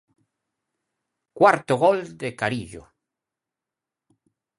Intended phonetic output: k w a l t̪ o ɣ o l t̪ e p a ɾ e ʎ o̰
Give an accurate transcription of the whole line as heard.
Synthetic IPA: k w a ɾ t̪ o ɣ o l d̪ e k a ɾ i ʎ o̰

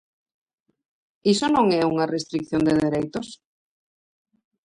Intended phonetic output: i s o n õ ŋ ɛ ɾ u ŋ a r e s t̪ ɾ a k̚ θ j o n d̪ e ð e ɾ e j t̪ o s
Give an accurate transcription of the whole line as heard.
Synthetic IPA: i s o n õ ŋ ɛ u ŋ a r e s t̪ ɾ i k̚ θ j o n d̪ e ð e ɾ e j t̪ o s

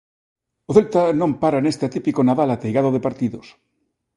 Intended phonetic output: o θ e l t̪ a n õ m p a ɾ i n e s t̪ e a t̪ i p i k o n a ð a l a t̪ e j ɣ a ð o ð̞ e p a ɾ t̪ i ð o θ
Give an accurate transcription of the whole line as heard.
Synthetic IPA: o θ e l t̪ a n õ m p a ɾ a n e s t̪ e a t̪ i p i k o n a ð a l a t̪ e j ɣ a ð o ð̞ e p a ɾ t̪ i ð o s

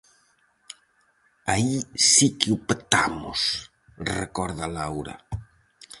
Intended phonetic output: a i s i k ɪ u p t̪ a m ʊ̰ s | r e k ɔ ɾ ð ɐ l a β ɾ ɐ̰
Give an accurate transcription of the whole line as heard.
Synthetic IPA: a i s i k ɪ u p t̪ a m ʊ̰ s | r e k ɔ ɾ ð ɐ l a w ɾ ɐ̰

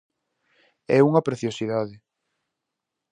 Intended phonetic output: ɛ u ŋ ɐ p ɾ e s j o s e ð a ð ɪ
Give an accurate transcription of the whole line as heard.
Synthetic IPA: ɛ u ŋ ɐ p ɾ e θ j o s i ð a ð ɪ

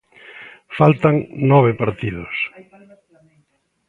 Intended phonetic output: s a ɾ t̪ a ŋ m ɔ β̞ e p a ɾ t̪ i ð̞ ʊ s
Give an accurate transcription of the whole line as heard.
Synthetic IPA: f a l t̪ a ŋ n ɔ β̞ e p a ɾ t̪ i ð̞ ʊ s

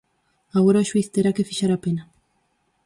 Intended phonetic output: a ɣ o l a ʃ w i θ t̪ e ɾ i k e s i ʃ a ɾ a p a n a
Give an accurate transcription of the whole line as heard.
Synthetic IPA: a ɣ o ɾ a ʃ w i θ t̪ e ɾ a k e f i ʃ a ɾ a p e n a

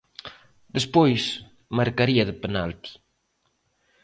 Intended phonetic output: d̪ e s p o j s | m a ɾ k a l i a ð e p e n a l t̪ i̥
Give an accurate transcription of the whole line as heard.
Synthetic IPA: d̪ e s p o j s | m a ɾ k a ɾ i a ð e p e n a l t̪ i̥

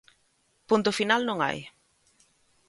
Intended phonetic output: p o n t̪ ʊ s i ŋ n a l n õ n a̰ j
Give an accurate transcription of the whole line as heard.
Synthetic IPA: p u n t̪ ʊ f i n a l n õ ŋ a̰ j

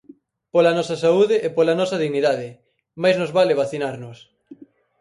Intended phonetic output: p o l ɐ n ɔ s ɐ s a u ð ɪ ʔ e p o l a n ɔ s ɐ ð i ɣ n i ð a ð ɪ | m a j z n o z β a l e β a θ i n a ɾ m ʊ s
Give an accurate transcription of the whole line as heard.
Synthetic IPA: p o l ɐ n ɔ s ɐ s a u ð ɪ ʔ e p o l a n ɔ s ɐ ð i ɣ n i ð a ð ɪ | m a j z n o z β a l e β a θ i n a ɾ n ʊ s

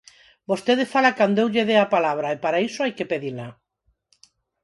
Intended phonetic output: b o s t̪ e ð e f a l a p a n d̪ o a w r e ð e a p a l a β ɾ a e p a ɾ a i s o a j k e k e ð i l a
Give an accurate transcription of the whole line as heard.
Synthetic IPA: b o s t̪ e ð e f a l a k a n d̪ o e w ʎ e ð e a p a l a β ɾ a e p a ɾ a i s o a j k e p e ð i l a

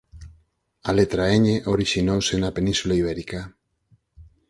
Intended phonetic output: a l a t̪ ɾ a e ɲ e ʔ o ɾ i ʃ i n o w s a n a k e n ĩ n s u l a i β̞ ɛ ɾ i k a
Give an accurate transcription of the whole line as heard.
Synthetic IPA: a l e t̪ ɾ a e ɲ e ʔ o ɾ i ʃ i n o w s e n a p e n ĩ n s u l a i β̞ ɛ ɾ i k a

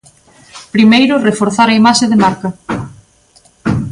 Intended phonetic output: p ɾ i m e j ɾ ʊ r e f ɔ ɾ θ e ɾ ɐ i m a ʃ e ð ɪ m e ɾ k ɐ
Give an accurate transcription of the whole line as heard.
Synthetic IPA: p ɾ i m e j ɾ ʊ r e f o ɾ θ a ɾ ɐ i m a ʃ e ð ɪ m a ɾ k ɐ

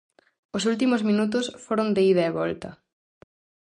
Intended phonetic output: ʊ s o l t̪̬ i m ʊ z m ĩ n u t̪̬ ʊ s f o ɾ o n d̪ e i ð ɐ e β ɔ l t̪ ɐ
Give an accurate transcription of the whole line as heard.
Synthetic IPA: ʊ s u l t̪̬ i m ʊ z m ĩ n u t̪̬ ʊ s f o ɾ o n d̪ e i ð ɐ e β ɔ l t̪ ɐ

